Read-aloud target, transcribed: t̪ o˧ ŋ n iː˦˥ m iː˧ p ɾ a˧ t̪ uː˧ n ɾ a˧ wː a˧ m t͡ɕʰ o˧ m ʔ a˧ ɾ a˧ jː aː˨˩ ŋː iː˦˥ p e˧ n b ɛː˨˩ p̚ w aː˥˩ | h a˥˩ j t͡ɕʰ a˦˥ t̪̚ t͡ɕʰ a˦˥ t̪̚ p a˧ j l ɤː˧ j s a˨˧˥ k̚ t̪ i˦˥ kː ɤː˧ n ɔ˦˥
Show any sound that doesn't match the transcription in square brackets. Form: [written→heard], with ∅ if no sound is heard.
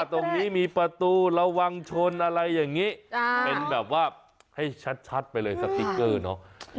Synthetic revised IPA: t̪ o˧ ŋ n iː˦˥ m iː˧ p ɾ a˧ t̪ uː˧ [n→∅] ɾ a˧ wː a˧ [m→ŋ] t͡ɕʰ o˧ [m→n] ʔ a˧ ɾ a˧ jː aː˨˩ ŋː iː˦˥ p e˧ n b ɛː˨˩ p̚ w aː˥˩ | h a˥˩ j t͡ɕʰ a˦˥ t̪̚ t͡ɕʰ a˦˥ t̪̚ p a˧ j l ɤː˧ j s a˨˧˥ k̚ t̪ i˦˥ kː [ɤː˧→ɤː˥˩] n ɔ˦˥